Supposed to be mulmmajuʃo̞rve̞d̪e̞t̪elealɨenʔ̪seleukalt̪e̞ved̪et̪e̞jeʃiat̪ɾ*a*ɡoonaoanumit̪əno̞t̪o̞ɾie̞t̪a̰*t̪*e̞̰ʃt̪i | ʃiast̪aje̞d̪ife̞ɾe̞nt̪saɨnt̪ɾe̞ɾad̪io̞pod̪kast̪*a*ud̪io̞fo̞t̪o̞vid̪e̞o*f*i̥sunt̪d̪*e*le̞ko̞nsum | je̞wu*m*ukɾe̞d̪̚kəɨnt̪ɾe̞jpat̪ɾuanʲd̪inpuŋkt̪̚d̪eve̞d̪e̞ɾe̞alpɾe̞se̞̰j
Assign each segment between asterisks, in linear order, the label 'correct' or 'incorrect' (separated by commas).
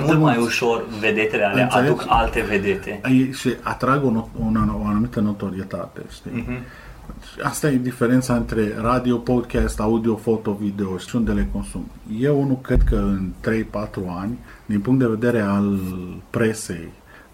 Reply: correct, correct, correct, incorrect, correct, incorrect